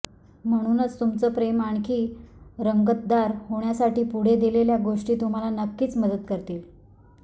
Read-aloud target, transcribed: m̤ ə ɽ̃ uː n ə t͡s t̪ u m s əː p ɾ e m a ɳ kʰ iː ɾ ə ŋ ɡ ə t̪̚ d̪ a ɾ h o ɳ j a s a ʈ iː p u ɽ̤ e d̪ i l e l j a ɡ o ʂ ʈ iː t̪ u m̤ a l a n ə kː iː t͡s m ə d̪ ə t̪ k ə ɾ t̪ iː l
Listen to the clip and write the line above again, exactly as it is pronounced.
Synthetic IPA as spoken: m̤ ə ɽ̃ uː n ə t͡s t̪ u m t͡s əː p ɾ e m a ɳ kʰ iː ɾ ə ŋ ɡ ə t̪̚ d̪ a ɾ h o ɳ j a s a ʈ iː p u ɽ̤ e d̪ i l e l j a ɡ o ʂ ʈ iː t̪ u m̤ a l a n ə kː iː t͡s m ə d̪ ə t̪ k ə ɾ t̪ iː l